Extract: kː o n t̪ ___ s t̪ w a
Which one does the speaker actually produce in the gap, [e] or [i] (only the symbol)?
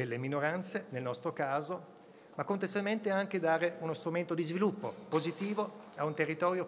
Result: e